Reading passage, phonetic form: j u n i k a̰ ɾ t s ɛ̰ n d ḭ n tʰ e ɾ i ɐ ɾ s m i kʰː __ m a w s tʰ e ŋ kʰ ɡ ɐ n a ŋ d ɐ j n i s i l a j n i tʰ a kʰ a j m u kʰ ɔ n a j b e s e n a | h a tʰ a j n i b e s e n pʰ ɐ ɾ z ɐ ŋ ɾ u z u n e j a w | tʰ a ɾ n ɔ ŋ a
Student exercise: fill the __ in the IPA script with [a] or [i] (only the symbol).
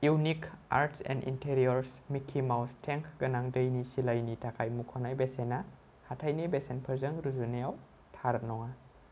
i